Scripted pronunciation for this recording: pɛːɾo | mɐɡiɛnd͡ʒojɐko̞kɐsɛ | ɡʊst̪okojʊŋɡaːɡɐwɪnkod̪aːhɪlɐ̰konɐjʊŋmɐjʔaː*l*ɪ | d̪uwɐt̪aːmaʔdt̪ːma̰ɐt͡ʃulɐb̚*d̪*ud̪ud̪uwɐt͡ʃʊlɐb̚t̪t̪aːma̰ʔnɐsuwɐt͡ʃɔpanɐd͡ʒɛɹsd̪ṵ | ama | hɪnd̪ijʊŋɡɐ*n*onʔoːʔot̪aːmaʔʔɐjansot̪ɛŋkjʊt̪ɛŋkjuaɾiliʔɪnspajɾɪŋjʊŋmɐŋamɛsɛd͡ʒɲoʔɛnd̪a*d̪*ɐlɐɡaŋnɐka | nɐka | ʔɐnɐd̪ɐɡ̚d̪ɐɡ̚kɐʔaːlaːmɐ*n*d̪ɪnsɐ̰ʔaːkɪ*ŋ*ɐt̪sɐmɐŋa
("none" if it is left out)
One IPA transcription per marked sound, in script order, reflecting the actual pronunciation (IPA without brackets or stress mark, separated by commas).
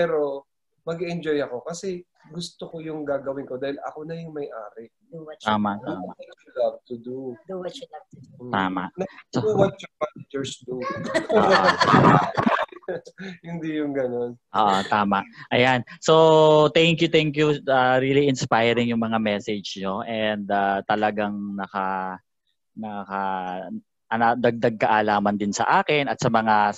ɾ, t̪, n, t̪, n, n